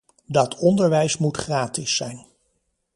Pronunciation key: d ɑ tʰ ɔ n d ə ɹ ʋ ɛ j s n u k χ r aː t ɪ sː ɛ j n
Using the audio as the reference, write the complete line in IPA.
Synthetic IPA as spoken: d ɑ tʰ ɔ n d ə ɹ ʋ ɛ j s m u t χ r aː t ɪ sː ɛ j n